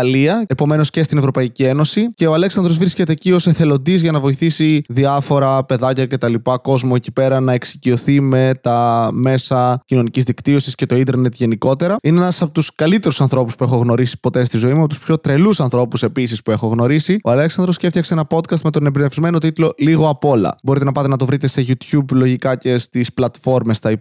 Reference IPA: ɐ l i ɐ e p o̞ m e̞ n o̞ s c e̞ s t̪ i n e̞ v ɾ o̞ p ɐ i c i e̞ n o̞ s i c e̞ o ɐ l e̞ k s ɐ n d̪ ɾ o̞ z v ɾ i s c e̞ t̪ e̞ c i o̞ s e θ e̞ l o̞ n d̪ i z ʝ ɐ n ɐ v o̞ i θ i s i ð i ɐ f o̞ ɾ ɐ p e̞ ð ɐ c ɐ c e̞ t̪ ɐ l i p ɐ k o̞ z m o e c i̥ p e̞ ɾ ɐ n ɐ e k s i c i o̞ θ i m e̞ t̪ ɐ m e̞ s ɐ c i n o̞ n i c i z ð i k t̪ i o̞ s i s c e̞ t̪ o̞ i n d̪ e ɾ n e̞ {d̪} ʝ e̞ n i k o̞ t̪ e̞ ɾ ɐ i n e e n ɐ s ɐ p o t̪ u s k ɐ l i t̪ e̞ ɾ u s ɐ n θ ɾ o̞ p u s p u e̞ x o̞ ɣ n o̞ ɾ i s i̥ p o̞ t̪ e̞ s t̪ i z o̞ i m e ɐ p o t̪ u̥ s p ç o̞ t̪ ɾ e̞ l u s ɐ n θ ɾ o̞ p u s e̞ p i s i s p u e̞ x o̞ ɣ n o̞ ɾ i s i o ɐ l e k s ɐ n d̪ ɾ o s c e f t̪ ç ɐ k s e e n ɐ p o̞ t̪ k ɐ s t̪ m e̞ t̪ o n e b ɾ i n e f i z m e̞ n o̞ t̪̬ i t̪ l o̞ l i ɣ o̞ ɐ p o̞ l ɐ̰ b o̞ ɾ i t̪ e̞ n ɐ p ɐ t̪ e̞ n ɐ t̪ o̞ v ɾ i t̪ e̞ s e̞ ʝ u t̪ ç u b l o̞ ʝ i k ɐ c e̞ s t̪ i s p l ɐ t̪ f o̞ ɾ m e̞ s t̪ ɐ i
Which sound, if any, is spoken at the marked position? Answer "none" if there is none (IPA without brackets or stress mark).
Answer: t̪